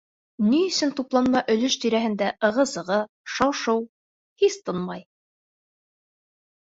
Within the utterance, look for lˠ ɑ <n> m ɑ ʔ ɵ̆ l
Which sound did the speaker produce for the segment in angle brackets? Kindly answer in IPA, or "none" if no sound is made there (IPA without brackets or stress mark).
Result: n